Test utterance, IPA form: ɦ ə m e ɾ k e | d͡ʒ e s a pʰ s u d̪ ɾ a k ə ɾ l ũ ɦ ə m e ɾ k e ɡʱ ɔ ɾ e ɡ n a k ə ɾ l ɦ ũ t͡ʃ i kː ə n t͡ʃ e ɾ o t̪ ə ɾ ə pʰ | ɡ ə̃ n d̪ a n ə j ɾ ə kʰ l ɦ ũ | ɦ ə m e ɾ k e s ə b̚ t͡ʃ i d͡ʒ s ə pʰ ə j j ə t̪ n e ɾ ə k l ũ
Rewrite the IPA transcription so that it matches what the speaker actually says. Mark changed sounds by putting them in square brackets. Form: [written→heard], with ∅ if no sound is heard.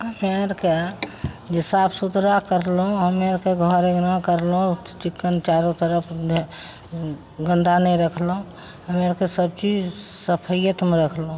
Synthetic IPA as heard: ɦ ə m e ɾ k e | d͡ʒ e s a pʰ s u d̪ ɾ a k ə ɾ l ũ ɦ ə m e ɾ k e ɡʱ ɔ ɾ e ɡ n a k ə ɾ l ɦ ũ t͡ʃ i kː ə n t͡ʃ [e→a] ɾ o t̪ ə ɾ ə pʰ | ɡ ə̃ n d̪ a n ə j ɾ ə kʰ l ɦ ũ | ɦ ə m e ɾ k e s ə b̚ t͡ʃ i d͡ʒ s ə pʰ ə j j ə t̪ [n→m] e ɾ ə [k→kʰ] l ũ